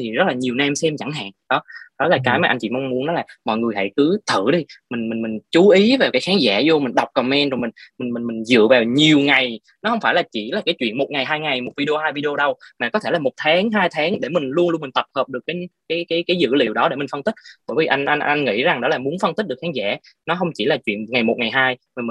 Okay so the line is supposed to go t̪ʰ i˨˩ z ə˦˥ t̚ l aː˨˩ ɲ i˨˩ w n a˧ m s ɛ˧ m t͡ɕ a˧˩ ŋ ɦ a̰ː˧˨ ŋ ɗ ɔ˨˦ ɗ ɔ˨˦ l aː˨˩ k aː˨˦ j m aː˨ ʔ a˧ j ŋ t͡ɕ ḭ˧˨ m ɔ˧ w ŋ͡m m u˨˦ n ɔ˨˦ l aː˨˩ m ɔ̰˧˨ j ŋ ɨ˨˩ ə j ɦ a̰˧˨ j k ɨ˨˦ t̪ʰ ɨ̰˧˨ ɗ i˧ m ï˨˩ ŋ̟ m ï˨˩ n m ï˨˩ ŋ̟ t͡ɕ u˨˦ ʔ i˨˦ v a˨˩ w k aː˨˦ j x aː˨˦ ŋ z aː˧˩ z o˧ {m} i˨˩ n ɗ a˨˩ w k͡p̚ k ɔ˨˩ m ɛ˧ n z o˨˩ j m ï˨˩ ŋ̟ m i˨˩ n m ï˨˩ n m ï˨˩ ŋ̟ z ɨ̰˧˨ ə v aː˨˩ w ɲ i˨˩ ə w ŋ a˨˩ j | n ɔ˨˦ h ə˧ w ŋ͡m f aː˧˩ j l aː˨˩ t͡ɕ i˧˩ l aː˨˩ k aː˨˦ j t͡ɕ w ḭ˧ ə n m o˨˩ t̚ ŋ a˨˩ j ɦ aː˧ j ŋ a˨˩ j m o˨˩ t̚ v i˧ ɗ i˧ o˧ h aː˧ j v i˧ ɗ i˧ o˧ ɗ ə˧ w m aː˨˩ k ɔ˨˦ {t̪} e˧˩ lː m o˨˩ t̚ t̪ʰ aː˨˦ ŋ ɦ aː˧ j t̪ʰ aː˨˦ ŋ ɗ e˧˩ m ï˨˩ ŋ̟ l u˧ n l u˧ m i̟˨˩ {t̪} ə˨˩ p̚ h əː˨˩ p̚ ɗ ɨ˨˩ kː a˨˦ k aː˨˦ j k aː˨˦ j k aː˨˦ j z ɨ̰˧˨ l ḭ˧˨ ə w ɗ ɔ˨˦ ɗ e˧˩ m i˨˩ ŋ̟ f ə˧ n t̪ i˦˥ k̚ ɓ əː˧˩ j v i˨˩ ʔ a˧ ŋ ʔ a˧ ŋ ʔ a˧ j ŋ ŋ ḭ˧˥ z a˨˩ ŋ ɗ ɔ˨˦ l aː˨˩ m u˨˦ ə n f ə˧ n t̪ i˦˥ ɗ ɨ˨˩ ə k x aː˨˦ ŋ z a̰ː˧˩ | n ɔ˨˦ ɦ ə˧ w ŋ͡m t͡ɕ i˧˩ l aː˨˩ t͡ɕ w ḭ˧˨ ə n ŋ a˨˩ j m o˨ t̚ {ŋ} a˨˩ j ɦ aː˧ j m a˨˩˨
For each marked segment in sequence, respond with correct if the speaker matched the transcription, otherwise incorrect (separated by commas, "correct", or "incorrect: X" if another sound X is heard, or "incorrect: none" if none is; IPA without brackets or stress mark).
correct, incorrect: t̪ʰ, correct, correct